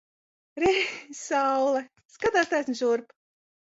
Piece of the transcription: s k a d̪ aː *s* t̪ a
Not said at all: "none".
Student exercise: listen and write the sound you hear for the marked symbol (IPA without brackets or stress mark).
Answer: s